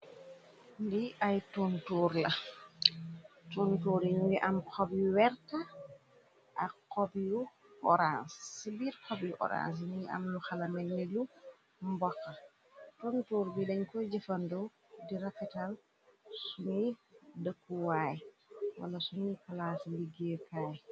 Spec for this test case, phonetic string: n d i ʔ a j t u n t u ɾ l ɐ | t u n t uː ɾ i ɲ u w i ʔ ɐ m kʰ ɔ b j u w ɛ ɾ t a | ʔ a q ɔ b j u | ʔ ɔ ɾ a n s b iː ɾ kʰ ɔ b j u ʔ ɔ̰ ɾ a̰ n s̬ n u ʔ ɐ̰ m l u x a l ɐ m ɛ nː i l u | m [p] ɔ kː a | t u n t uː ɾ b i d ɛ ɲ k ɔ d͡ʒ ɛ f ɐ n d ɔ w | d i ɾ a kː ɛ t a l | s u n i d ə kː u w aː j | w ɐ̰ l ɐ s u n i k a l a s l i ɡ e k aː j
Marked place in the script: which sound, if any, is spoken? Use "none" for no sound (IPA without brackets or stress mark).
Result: b